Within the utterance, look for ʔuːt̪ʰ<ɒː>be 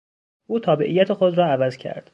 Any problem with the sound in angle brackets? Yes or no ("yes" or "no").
no